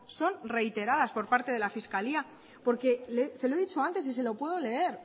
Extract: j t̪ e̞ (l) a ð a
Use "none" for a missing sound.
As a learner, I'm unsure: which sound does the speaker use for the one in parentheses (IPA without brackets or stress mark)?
ɾ